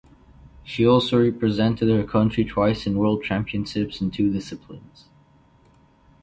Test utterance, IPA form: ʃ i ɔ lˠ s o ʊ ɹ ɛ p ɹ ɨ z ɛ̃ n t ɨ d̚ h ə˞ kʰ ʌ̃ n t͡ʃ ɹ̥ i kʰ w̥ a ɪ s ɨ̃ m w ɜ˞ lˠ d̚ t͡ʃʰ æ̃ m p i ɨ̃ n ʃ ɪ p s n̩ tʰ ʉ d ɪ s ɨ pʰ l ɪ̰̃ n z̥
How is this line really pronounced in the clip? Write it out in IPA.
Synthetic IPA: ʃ i ɔ lˠ s o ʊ ɹ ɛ p ɹ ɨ z ɛ̃ n t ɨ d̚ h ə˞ kʰ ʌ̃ n t͡ʃ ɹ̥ i tʰ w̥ a ɪ s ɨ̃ n w ɜ˞ lˠ d̚ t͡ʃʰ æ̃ m p i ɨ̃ n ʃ ɪ p s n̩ tʰ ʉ d ɪ s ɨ pʰ l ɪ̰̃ n z̥